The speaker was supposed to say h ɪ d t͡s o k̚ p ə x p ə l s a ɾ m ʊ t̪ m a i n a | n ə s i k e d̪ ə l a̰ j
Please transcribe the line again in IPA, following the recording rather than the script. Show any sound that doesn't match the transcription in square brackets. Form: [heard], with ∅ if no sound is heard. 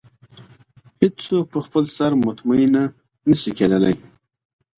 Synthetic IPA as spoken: h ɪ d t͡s o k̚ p ə x p ə l s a ɾ m ʊ t̪ m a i n a | n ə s i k e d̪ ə l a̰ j